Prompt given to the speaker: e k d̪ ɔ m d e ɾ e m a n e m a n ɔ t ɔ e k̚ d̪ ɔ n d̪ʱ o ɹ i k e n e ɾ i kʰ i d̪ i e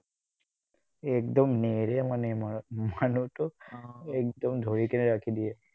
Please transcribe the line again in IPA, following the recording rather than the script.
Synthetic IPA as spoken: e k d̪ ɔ m n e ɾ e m a n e m a n u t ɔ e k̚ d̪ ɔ m d̪ʱ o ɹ i k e n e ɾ a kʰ i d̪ i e